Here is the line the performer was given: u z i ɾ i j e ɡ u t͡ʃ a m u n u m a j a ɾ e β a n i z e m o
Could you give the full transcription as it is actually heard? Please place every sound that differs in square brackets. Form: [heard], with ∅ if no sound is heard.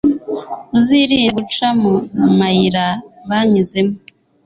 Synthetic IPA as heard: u z i ɾ i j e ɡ u t͡ʃ a m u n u m a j [i] ɾ [a] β a [ɲ] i z e m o